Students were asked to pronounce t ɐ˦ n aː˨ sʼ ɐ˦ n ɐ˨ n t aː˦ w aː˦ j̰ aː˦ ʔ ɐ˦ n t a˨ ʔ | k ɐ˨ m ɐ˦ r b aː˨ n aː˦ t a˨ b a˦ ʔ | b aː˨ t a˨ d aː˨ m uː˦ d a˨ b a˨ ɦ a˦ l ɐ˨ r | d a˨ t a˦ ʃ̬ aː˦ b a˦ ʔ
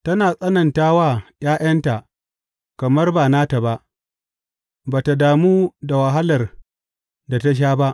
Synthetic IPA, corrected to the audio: t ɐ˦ n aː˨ sʼ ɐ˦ n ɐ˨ n t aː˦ w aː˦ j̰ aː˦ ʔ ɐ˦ n t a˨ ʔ | k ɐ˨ m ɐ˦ r b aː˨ n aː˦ t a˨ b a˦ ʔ | b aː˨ t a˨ d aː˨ m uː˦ d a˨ w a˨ ɦ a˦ l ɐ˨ r | d a˨ t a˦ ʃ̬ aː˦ b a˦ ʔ

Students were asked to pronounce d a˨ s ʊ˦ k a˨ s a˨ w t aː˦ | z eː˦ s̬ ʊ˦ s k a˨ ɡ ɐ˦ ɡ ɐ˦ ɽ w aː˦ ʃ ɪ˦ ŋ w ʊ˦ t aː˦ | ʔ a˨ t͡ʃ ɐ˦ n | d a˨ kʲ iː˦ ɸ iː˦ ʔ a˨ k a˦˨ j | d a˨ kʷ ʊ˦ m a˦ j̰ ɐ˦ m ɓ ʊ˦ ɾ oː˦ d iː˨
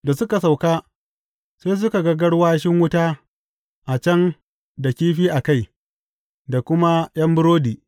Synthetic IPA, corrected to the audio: d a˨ s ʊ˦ k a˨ s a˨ w k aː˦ | s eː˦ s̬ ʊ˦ k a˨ ɡ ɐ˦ ɡ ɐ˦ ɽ w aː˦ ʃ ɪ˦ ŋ w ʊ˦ t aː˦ | ʔ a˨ t͡ʃ ɐ˦ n | d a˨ kʲ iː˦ ɸ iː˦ ʔ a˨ k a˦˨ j | d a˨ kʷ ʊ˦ m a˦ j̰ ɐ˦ m b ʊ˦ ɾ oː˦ d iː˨

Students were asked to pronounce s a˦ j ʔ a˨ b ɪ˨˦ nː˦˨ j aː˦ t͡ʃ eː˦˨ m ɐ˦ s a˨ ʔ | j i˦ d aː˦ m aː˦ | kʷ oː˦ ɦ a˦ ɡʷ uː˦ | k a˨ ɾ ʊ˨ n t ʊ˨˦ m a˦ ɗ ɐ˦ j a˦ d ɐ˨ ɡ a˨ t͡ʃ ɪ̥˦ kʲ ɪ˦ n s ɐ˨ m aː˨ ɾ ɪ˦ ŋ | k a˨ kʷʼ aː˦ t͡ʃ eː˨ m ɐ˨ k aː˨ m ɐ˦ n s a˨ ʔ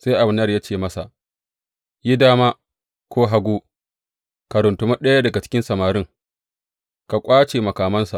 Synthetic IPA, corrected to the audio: s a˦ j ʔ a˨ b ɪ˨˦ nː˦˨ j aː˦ t͡ʃ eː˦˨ m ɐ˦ s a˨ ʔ | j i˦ d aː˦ m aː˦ | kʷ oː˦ ɦ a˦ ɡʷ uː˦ | k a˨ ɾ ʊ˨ n t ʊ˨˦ m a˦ ɗ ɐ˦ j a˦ d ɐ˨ ɡ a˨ t͡ʃ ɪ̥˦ kʲ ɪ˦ n s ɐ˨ m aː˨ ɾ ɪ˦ ŋ | k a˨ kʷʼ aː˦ t͡ʃ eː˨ m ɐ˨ k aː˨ m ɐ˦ n s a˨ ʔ

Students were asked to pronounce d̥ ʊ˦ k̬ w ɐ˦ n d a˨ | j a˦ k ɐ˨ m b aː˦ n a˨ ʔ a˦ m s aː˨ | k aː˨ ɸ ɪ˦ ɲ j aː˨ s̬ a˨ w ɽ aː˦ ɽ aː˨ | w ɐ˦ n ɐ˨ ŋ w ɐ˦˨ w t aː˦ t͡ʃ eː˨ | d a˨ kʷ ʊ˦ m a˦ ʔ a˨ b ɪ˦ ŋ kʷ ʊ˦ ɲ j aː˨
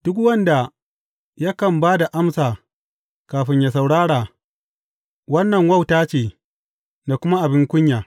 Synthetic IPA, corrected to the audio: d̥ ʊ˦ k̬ w ɐ˦ n d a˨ | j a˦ k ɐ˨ m b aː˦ d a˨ ʔ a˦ m s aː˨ | k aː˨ ɸ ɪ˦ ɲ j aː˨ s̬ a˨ w ɽ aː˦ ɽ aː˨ | w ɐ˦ nː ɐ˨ ŋ w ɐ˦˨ w t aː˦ t͡ʃ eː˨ | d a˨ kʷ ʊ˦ m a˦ ʔ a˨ b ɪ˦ ŋ kʷ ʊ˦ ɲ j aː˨

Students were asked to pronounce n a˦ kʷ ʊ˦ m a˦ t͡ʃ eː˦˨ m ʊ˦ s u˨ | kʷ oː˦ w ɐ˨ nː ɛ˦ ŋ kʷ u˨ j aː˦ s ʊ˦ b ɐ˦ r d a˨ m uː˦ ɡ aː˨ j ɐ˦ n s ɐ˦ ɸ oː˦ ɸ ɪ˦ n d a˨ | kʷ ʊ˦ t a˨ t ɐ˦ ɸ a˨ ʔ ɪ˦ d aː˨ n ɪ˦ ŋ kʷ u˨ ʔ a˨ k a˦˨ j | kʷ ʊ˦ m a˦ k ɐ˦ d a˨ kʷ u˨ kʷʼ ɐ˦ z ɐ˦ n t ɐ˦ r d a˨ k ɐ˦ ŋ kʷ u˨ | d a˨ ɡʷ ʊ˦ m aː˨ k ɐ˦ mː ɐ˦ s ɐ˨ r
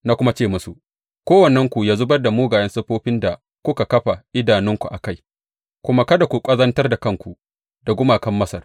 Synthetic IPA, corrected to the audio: n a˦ kʷ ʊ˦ m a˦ t͡ʃ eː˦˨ m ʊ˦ s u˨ | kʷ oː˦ w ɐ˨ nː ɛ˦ ŋ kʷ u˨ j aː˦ z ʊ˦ b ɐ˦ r d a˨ m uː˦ ɡ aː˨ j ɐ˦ n s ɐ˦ ɸ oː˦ ɸ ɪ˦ n d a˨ | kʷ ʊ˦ k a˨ k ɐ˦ ɸ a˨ ʔ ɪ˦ d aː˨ n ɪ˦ ŋ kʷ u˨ ʔ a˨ k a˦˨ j | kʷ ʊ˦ m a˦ k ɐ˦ d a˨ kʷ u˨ kʷʼ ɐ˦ z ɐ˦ n t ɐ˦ r d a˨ k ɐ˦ ŋ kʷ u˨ | d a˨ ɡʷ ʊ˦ m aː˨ k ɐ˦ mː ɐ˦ s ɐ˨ r

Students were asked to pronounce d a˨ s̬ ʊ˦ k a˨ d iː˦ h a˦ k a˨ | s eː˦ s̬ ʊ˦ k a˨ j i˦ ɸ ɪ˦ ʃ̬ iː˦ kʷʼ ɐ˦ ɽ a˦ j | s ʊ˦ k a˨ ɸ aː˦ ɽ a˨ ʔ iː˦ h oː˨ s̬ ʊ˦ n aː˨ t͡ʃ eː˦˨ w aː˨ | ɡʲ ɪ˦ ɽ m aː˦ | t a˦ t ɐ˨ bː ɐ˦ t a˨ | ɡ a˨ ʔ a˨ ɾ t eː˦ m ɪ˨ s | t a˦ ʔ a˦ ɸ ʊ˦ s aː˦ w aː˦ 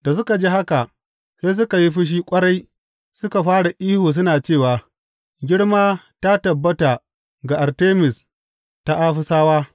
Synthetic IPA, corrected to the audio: d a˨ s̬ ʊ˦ k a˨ d͡ʒ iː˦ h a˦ k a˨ | s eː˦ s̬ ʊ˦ k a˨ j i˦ ɸ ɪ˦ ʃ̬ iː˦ kʷʼ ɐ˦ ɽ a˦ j | s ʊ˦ k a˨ ɸ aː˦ ɽ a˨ ʔ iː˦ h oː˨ s̬ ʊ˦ n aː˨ t͡ʃ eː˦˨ w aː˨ | ɡʲ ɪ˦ ɽ m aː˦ | t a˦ t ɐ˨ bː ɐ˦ t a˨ | ɡ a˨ ʔ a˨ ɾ t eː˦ m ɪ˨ s | t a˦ ʔ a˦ ɸ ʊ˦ s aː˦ w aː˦

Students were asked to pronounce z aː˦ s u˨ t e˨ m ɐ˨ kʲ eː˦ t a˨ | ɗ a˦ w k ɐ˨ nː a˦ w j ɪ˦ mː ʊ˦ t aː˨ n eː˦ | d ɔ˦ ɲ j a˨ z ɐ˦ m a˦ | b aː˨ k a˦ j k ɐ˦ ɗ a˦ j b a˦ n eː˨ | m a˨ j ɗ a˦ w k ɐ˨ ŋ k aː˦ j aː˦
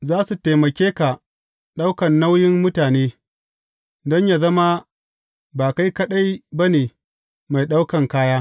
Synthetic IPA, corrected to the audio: z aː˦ s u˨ t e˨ m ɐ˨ kʲ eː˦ k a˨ | ɗ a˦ w k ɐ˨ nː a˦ w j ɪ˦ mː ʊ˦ t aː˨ n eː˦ | d ɔ˦ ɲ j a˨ z ɐ˦ m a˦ | b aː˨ k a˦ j k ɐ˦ ɗ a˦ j b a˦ n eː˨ | m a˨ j ɗ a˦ w k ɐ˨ ŋ k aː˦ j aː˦

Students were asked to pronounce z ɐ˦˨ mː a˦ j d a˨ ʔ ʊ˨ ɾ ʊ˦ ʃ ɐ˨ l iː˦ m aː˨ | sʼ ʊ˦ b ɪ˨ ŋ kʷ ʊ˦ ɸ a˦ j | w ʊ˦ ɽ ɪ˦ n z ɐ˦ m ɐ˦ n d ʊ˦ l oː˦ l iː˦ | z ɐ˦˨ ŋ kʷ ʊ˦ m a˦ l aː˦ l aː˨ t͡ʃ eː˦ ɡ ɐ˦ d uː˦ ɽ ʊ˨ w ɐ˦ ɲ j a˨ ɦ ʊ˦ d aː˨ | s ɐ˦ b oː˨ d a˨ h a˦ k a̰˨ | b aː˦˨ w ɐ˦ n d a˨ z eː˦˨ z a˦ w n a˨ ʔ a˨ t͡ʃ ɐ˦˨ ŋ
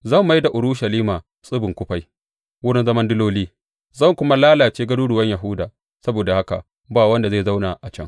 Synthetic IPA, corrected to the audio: z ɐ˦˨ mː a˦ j d a˨ ʔ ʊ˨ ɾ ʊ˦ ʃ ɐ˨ l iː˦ m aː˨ | sʼ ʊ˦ b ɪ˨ ŋ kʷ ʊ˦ ɸ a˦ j | w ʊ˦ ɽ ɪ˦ n z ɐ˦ m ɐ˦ n d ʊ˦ l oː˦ l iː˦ | z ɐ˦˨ ŋ kʷ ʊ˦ m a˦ l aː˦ l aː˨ t͡ʃ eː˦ ɡ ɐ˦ d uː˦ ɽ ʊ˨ w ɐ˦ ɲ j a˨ ɦ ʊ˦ d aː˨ | s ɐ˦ b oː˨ d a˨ h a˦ k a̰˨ | b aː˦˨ w ɐ˦ n d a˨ z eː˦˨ z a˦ w n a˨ ʔ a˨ t͡ʃ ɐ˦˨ ŋ

